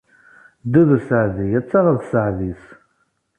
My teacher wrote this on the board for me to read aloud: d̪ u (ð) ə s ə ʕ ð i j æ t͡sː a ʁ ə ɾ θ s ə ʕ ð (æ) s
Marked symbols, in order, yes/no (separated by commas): yes, no